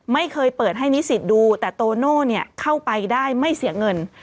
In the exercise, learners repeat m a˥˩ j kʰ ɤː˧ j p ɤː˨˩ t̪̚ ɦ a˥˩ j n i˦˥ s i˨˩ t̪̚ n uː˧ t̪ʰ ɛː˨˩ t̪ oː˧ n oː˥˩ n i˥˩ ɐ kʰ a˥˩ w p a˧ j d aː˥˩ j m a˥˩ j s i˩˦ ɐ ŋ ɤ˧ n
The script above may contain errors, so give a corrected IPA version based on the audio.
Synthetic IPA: m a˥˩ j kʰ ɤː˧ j p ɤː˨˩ t̪̚ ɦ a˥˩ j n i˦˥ s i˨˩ t̪̚ d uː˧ t̪ ɛː˨˩ t̪ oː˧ n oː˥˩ n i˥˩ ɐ kʰ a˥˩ w p a˧ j d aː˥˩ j m a˥˩ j s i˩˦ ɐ ŋ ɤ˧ n